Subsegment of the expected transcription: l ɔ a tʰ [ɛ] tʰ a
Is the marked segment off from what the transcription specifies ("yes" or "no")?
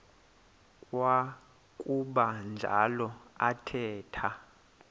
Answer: yes